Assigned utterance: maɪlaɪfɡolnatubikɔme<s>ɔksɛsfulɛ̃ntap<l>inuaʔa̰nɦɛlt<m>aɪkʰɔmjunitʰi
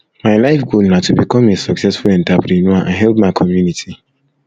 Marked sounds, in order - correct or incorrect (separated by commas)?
correct, incorrect, correct